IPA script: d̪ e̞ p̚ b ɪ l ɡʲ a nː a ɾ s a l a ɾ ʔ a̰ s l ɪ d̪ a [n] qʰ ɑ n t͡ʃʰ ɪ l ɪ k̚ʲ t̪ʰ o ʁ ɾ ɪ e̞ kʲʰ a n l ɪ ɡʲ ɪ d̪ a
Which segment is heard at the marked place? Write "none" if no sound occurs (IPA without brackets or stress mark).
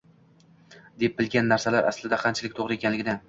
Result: none